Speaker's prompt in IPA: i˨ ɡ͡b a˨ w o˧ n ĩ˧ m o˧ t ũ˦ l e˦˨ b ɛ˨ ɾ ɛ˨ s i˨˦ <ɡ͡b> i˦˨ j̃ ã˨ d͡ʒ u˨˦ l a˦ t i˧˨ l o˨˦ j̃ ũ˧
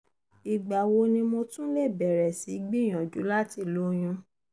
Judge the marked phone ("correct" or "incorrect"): correct